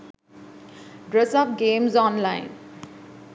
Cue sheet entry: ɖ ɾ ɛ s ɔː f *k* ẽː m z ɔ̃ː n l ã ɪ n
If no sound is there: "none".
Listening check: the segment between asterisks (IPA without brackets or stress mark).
ɡ